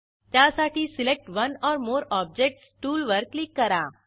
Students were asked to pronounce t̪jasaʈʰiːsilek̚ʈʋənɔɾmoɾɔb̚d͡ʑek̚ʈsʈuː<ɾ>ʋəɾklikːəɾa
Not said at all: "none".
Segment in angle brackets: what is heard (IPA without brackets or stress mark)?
l